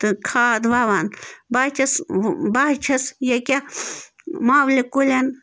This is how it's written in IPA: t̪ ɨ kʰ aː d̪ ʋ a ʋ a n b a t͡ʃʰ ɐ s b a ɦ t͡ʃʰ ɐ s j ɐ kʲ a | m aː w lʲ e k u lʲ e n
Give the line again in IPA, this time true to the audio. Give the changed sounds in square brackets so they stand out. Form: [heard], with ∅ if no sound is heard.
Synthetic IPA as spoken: t̪ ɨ kʰ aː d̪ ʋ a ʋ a n b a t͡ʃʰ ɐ s b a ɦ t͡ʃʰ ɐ s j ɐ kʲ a | m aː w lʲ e k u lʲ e n